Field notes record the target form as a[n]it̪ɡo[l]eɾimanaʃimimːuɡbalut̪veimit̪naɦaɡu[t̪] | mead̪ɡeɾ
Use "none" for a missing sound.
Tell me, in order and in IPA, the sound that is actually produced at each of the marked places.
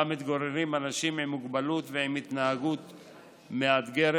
m, ɾ, t̪

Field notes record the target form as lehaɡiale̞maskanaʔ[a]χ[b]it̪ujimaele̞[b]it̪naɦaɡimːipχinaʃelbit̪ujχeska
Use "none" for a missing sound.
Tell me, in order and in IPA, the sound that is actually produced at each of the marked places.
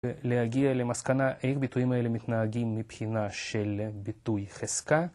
e, b, m

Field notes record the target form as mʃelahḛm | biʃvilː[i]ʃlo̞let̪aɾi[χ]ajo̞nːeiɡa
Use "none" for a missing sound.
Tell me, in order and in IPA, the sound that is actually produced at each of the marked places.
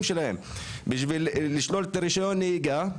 i, ʃ

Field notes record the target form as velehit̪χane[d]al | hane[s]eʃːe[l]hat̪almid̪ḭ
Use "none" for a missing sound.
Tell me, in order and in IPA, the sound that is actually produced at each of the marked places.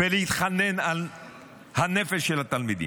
n, f, l

